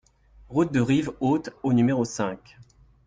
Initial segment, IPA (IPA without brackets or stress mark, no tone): ʁ